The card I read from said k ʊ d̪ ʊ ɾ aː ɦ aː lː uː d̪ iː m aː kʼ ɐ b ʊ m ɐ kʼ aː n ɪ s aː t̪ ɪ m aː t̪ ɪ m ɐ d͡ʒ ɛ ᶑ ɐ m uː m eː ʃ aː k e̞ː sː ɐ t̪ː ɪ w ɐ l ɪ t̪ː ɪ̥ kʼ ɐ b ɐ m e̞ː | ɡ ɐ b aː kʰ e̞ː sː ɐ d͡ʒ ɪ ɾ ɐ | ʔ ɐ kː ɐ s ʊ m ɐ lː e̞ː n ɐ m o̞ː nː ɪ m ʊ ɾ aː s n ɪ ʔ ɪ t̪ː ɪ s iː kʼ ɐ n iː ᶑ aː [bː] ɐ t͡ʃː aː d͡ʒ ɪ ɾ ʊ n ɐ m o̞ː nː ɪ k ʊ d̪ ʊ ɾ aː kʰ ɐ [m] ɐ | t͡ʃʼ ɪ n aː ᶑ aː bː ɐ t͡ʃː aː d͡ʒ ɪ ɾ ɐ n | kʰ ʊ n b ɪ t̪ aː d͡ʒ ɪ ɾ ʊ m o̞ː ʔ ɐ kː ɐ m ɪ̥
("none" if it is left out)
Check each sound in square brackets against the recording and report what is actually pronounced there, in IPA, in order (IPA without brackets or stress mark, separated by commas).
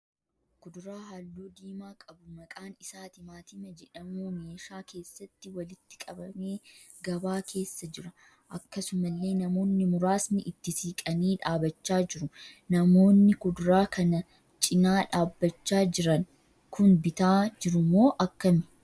b, n